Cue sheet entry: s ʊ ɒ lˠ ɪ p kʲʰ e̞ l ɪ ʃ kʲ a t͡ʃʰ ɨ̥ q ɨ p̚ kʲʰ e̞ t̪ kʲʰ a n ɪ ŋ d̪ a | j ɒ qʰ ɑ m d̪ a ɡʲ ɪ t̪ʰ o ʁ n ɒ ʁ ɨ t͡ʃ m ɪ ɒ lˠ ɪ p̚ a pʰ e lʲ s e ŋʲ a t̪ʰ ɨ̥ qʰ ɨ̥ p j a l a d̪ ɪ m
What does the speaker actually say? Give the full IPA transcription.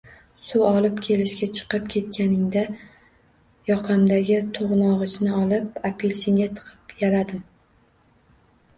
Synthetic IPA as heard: s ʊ ɒ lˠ ɪ p kʲʰ e̞ l ɪ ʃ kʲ a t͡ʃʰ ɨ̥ q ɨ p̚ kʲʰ e̞ t̪ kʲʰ a n ɪ ŋ d̪ a | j ɒ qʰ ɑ m d̪ a ɡʲ ɪ t̪ʰ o ʁ n ɒ ʁ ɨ t͡ʃ n ɪ ɒ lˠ ɪ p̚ a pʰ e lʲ s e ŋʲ a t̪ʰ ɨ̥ qʰ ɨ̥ p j a l a d̪ ɪ m